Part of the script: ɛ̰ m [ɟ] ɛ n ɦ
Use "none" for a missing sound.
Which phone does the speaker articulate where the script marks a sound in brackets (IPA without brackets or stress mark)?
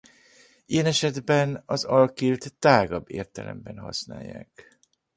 b